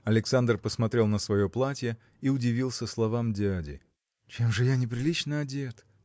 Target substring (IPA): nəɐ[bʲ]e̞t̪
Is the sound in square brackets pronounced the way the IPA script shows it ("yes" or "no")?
no